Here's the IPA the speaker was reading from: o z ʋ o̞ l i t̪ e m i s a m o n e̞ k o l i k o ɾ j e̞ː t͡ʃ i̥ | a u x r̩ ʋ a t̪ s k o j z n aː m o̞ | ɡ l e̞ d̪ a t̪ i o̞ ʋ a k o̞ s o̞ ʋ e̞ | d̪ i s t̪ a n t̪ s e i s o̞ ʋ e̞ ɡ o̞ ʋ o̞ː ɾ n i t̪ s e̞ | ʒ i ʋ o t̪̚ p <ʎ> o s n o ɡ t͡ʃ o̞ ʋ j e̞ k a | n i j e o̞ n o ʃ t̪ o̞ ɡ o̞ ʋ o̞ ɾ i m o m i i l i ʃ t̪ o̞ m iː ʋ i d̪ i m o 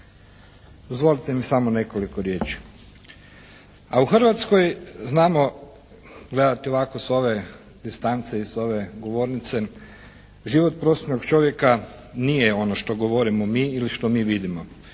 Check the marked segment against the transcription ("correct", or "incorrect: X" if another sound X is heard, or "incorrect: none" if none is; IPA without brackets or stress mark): incorrect: ɾ